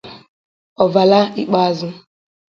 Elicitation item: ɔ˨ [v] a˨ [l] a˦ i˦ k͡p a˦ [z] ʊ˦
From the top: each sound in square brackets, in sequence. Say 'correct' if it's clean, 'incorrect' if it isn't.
correct, correct, correct

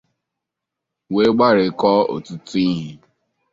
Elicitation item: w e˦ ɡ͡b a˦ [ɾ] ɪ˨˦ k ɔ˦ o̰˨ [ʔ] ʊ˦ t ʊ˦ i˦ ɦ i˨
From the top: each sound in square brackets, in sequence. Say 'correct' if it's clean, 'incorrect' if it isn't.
correct, incorrect: t

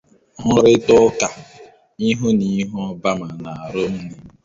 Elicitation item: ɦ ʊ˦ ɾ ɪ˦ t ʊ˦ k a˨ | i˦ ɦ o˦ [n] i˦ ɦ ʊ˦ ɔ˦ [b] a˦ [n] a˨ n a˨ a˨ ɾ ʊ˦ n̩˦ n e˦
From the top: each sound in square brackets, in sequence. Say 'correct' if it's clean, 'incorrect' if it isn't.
correct, correct, incorrect: m

